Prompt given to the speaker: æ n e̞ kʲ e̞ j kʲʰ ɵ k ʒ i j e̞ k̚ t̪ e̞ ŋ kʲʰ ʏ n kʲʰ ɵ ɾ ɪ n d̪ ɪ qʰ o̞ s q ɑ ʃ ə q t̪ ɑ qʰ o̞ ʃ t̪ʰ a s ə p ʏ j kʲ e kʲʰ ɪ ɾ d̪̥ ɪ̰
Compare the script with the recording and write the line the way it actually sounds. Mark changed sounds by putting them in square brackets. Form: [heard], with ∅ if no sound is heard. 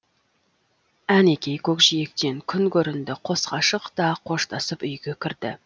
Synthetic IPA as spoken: æ n e̞ kʲ e̞ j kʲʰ ɵ k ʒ i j e̞ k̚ t̪ e̞ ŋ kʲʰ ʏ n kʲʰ ɵ ɾ ɪ n d̪ ɪ qʰ o̞ s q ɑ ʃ ə q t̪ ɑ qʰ o̞ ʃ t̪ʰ [ɑ] s ə p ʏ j [ɡʲ] e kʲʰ ɪ ɾ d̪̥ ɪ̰